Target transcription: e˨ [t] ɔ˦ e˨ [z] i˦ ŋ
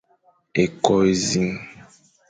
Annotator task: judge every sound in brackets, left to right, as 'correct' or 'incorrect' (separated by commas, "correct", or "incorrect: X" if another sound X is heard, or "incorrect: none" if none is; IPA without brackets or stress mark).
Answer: incorrect: k, correct